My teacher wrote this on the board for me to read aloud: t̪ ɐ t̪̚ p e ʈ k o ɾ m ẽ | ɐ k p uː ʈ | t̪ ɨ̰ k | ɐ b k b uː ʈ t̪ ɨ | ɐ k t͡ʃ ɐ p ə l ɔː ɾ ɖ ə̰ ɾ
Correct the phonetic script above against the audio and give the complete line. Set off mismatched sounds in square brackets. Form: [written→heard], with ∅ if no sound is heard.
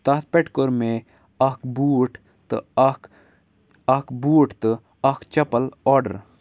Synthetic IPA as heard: t̪ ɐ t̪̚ p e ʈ k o ɾ m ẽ | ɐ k [p→b] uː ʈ | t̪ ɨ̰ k | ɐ [b→∅] k b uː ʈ t̪ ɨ | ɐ k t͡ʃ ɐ p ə l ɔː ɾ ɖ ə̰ ɾ